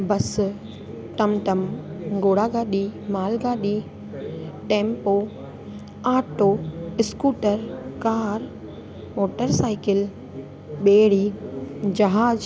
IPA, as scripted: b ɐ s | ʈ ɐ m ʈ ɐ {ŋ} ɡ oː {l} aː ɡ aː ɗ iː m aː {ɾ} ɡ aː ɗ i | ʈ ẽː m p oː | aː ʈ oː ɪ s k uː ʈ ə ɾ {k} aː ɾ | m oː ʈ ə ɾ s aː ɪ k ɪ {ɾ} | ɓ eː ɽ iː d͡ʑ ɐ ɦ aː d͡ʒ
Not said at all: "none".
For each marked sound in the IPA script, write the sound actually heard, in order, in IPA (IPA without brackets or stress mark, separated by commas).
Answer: m, ɽ, l, k, l